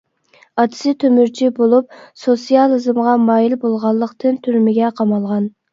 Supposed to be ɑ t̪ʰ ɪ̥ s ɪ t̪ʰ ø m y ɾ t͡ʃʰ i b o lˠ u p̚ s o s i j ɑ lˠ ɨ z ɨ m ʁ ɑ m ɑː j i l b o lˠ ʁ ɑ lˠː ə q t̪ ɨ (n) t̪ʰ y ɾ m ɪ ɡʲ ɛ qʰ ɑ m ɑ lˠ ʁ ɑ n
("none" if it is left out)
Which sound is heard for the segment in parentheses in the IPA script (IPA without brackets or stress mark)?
n